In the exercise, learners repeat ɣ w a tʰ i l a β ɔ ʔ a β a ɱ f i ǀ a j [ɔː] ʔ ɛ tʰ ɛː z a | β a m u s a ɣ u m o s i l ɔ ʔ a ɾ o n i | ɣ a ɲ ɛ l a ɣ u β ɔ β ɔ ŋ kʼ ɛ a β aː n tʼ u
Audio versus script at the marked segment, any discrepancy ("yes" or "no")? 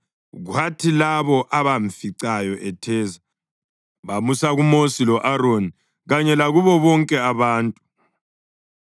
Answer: yes